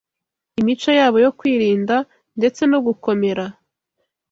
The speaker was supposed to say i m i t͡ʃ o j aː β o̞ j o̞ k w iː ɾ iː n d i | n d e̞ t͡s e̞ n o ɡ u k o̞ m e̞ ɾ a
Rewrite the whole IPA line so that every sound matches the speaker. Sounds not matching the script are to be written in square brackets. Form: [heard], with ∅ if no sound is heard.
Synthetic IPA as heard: i m i t͡ʃ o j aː β o̞ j o̞ k w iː ɾ iː n d [a] | n d e̞ t͡s e̞ n o ɡ u k o̞ m e̞ ɾ a